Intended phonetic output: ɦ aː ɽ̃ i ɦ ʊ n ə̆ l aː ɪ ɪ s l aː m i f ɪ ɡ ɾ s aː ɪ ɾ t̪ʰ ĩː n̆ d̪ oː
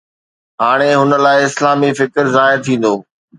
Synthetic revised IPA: ɦ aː ɽ̃ e ɦ ʊ n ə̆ l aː ɪ ɪ s l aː m i f ɪ k ɾ z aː ɪ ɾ t̪ʰ ĩː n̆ d̪ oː